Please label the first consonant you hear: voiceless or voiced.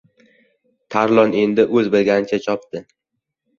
voiceless